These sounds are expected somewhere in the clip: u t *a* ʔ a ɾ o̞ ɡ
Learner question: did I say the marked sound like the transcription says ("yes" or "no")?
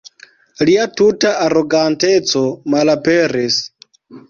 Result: yes